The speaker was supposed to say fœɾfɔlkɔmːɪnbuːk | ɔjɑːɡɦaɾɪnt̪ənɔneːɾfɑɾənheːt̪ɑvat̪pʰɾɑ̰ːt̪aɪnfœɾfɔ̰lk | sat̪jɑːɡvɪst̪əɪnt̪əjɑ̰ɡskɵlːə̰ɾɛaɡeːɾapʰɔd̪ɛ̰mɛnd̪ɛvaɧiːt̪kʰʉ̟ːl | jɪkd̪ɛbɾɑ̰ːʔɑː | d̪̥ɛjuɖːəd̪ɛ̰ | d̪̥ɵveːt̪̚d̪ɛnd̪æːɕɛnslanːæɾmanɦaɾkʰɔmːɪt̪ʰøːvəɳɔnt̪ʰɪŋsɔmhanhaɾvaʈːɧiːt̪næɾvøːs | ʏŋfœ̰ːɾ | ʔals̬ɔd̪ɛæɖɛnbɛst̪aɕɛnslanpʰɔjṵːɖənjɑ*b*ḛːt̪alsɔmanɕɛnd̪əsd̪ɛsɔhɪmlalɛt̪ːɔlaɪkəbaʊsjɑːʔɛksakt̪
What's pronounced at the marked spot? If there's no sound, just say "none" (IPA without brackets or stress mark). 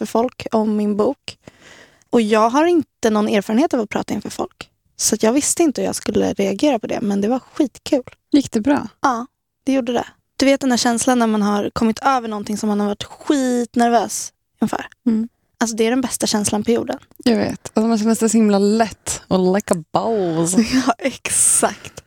v